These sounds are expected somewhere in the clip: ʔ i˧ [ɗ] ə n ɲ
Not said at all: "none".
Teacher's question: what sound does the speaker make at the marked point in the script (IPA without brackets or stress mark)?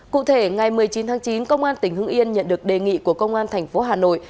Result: none